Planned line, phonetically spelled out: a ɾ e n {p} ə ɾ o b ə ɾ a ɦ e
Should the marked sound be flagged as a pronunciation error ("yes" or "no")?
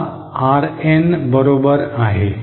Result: yes